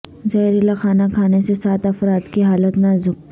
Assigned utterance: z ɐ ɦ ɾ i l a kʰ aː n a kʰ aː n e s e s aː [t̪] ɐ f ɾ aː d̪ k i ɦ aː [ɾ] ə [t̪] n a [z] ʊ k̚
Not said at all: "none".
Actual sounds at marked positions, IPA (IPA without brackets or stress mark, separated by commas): t̪, l, t̪, z